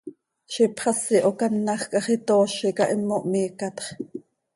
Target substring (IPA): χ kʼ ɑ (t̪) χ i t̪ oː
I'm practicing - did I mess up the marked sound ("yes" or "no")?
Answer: yes